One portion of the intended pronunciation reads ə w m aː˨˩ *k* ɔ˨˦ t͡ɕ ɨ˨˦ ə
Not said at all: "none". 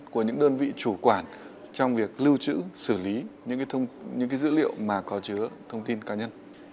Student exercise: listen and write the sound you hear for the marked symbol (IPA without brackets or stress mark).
k